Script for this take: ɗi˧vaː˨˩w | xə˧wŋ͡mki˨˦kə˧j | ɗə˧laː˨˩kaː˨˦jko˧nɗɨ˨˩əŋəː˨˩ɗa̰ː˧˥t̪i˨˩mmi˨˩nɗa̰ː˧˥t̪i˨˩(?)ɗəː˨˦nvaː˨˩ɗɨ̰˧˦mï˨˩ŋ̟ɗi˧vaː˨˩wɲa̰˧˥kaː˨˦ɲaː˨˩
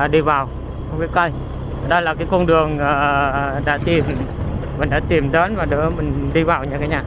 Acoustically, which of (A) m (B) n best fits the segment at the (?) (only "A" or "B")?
A